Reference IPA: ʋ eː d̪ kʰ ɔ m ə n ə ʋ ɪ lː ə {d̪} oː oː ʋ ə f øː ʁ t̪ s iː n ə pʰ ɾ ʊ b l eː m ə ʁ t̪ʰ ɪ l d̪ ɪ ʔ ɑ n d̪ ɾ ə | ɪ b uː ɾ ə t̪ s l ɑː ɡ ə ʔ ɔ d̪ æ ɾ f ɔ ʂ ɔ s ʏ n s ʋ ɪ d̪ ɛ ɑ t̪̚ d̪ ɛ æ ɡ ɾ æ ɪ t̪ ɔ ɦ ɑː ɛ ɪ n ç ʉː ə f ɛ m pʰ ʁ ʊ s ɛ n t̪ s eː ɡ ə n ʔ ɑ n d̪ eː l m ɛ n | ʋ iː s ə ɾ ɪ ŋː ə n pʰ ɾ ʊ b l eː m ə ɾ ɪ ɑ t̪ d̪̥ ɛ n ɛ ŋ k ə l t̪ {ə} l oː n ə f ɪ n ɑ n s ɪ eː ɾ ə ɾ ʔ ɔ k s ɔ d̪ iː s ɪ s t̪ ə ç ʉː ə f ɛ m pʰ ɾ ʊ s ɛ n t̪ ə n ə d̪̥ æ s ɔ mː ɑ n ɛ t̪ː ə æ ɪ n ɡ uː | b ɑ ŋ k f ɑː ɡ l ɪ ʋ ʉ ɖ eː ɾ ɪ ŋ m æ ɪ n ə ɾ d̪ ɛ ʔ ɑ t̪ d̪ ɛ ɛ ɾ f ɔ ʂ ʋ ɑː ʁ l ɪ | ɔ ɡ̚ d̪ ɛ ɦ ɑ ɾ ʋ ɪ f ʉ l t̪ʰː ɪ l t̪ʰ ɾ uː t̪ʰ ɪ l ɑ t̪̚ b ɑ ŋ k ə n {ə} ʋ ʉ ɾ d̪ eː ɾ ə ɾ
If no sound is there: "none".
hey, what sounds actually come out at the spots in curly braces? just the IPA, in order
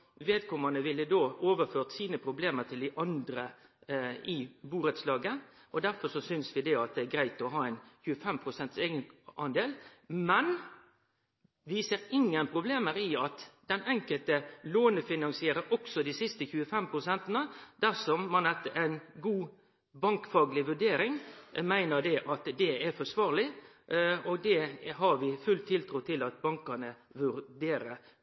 d̪, ə, ə

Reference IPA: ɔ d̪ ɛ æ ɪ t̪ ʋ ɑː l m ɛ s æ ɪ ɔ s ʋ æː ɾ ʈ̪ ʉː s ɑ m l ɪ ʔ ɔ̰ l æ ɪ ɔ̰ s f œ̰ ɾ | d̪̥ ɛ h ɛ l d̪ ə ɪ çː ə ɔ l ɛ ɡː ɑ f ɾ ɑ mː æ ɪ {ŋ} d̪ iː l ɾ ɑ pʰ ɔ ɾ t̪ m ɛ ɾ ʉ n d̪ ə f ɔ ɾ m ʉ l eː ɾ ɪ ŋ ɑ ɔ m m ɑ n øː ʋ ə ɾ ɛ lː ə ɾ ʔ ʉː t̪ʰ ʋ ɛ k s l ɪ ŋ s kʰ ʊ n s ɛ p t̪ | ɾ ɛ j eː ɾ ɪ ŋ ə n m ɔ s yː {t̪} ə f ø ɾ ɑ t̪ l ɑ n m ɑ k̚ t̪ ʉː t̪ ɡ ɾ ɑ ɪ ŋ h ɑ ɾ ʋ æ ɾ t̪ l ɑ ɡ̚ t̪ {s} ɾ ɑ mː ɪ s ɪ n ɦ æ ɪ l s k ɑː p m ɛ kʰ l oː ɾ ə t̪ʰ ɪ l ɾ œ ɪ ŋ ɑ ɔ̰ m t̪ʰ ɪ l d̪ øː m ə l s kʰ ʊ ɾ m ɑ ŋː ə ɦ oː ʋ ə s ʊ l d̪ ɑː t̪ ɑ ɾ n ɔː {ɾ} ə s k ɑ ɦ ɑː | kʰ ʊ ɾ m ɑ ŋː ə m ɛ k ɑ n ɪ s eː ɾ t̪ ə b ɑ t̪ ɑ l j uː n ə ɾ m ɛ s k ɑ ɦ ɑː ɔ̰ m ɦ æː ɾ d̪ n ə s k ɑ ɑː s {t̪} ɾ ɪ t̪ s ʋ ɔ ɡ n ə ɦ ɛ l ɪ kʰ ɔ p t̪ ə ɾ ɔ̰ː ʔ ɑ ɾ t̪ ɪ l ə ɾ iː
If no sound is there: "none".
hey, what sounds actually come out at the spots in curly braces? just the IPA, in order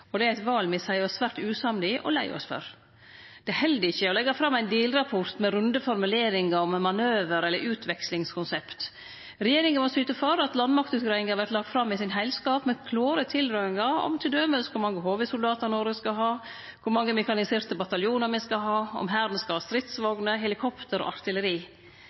n, t̪, f, ɾ, t̪

